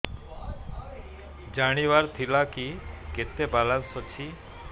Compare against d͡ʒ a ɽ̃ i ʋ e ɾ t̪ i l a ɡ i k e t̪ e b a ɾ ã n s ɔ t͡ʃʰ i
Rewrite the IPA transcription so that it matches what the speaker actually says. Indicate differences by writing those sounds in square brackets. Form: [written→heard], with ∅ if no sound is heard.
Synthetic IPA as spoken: d͡ʒ a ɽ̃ i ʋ [e→a] ɾ [t̪→t̪ʰ] i l a [ɡ→k] i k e t̪ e b a [ɾ→l] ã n s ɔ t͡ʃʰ i